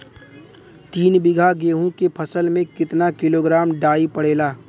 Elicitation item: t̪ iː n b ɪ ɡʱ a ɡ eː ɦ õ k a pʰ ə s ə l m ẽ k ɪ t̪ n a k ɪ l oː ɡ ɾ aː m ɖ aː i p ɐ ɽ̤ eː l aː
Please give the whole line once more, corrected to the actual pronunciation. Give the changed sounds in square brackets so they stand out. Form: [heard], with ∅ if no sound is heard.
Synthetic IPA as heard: t̪ iː n b ɪ ɡʱ a ɡ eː ɦ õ k [e] pʰ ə s ə l m ẽ k ɪ t̪ n a k ɪ l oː ɡ ɾ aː m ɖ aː i p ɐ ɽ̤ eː l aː